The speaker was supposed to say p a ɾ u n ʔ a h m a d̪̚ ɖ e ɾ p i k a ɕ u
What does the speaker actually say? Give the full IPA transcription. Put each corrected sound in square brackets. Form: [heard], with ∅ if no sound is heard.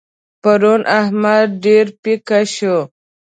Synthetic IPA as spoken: p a ɾ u n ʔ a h m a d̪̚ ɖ e ɾ p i k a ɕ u